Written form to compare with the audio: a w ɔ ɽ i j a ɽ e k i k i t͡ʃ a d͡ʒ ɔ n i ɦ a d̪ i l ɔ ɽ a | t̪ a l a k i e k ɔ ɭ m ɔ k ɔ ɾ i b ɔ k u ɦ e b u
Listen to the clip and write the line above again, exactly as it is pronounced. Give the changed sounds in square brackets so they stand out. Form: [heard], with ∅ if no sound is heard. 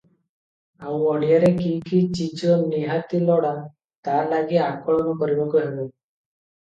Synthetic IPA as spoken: a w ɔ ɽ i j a [ɾ] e k i k i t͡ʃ [i] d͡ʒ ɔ n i ɦ a [t̪] i l ɔ ɽ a | t̪ a l a [ɡ] i [a] k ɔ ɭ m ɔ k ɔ ɾ i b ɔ k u ɦ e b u

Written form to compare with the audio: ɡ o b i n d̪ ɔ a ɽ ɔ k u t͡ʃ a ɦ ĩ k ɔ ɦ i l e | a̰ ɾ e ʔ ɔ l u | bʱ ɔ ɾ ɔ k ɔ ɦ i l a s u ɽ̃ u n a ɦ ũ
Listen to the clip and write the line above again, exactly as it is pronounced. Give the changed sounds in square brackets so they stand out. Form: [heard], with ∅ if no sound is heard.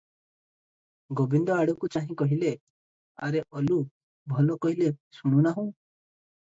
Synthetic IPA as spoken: ɡ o b i n d̪ ɔ a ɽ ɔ k u t͡ʃ a ɦ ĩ k ɔ ɦ i l e | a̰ ɾ e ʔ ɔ l u | bʱ ɔ [l] ɔ k ɔ ɦ i l [e] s u ɽ̃ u n a ɦ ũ

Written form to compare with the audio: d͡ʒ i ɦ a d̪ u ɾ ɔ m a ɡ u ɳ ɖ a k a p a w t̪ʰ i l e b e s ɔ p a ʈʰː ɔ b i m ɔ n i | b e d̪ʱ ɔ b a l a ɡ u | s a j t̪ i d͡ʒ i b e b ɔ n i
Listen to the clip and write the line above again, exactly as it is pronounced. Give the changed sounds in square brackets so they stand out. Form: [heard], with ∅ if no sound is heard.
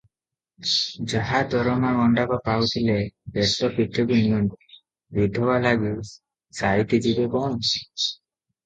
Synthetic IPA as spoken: d͡ʒ [a] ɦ a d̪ [ɔ] ɾ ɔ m a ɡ [ɔ] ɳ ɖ a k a p a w t̪ʰ i l e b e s ɔ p [i] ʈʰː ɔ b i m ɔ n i | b [i] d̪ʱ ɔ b a l a ɡ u | s a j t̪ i d͡ʒ i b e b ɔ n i

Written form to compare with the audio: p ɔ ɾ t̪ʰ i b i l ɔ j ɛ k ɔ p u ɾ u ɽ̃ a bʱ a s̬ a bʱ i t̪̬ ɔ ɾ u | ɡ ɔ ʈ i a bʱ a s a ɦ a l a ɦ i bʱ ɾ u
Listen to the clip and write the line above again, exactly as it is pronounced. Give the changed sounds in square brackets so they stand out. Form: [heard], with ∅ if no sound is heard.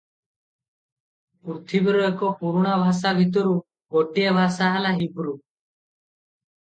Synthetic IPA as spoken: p [u] ɾ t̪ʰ i b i [ɾ] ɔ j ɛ k ɔ p u ɾ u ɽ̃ a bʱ a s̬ a bʱ i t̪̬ ɔ ɾ u | ɡ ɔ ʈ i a bʱ a s a ɦ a l a ɦ i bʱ ɾ u

